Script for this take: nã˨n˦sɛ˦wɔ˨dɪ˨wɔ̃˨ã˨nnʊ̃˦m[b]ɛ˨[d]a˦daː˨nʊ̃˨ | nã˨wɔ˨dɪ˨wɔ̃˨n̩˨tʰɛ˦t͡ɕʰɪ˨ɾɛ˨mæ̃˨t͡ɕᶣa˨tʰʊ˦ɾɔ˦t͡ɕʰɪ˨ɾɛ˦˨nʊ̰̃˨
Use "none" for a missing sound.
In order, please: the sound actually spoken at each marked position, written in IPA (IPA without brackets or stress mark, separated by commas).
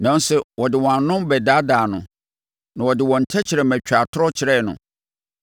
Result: b, d